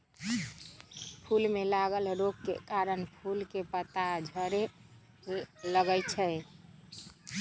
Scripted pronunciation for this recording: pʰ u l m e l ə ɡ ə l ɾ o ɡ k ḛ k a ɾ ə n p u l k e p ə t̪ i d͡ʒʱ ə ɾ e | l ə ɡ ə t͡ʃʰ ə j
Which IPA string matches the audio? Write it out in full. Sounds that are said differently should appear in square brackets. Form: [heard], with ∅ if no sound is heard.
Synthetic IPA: pʰ u l m e l [a] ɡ ə l ɾ o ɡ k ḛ k a ɾ ə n [pʰ] u l k e p ə t̪ [a] d͡ʒʱ ə ɾ e | l ə ɡ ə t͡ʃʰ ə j